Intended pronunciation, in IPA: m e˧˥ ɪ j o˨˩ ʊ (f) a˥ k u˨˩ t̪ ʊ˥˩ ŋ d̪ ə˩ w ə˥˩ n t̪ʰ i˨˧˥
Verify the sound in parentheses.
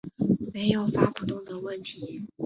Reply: correct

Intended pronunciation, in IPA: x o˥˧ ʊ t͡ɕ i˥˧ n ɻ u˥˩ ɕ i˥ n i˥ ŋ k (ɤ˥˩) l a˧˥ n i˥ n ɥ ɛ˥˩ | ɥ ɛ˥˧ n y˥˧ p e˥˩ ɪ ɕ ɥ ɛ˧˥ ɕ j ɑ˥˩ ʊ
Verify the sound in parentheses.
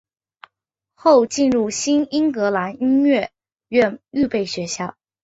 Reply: incorrect: ɤ˧˥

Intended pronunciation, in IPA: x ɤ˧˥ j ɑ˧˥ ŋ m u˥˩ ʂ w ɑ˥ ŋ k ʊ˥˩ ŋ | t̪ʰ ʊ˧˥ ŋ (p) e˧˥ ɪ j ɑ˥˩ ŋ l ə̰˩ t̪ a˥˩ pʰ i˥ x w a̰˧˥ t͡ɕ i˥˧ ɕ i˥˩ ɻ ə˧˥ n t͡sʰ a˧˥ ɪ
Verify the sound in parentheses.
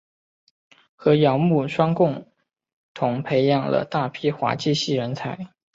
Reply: incorrect: pʰ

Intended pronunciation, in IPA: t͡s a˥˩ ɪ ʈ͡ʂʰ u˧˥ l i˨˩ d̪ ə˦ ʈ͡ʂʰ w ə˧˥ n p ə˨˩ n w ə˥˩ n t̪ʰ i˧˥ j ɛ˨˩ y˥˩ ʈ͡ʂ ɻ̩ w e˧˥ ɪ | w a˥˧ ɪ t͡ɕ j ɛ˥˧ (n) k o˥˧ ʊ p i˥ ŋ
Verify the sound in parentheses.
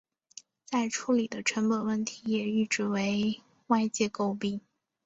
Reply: incorrect: none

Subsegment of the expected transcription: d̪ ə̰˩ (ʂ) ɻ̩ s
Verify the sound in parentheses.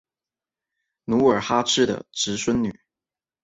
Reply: incorrect: ʈ͡ʂ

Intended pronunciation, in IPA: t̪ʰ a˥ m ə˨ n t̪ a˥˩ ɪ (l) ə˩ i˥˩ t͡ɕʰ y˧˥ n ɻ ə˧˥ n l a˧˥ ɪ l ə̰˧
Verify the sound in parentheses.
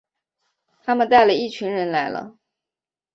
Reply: correct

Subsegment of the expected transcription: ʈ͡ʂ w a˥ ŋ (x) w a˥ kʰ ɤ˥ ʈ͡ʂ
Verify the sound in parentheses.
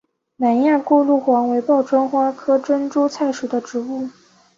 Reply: correct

